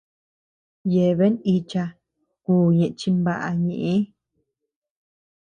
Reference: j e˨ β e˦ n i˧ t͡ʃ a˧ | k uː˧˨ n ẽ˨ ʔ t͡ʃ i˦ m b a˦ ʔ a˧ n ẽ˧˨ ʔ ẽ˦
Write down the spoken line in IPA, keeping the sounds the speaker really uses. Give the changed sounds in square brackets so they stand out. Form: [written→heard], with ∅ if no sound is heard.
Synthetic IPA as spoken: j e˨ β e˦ n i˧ t͡ʃ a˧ | k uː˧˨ [n→ɲ] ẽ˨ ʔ t͡ʃ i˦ m b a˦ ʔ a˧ [n→ɲ] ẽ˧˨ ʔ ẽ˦